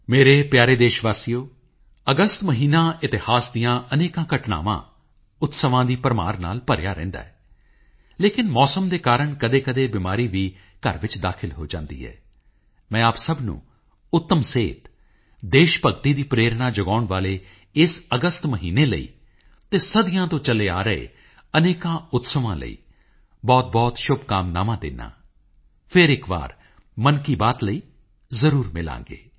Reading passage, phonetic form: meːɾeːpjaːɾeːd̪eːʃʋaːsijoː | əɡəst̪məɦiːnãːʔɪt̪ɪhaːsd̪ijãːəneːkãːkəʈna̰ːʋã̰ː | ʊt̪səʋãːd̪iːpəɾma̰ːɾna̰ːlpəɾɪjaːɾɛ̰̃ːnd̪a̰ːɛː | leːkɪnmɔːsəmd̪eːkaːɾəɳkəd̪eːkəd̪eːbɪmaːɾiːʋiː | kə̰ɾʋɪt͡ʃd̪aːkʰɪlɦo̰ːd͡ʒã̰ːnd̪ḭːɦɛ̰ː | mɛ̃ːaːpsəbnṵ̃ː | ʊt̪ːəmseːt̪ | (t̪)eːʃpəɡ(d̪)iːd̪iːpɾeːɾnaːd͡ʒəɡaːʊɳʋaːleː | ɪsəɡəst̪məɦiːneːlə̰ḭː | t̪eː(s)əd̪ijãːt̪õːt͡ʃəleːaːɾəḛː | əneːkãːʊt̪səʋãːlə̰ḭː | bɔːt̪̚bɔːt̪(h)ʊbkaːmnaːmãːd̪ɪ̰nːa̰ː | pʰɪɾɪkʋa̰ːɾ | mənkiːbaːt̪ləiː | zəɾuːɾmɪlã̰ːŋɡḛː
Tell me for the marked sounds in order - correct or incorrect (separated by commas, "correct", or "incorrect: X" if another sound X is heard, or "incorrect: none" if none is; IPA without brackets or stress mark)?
incorrect: d̪, incorrect: t̪, correct, incorrect: ʃ